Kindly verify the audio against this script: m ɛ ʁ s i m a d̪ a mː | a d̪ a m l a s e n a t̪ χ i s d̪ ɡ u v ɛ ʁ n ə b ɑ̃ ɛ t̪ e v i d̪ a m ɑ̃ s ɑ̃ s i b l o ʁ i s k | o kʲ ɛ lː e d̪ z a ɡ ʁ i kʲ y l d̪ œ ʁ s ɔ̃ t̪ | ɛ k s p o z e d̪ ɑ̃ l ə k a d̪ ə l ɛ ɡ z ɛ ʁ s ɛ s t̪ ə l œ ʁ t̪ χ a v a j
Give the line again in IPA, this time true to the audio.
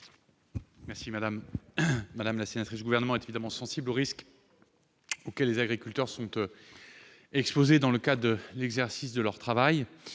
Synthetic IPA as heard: m ɛ ʁ s i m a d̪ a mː | a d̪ a m l a s e n a t̪ χ i s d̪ ɡ u v ɛ ʁ n ə m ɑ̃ ɛ t̪ e v i d̪ a m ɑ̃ s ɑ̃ s i b l o ʁ i s k | o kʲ ɛ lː e z a ɡ ʁ i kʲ y l t̪ œ ʁ s ɔ̃ t̪ | ɛ k s p o z e d̪ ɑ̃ l ə k a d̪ ə l ɛ ɡ z ɛ ʁ s i s d̪ ə l œ ʁ t̪ χ a v a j